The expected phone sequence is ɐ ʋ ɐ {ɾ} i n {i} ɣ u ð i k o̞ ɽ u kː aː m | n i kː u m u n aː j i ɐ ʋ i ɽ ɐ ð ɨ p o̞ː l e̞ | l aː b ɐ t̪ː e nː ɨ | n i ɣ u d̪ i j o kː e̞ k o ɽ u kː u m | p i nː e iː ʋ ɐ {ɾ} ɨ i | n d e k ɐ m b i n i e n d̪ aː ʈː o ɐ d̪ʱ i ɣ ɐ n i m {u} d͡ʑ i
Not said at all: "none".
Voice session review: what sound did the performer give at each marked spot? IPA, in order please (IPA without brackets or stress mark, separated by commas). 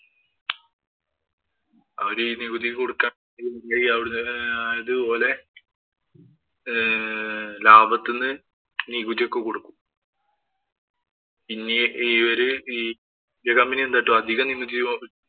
ɾ, i, ɾ, u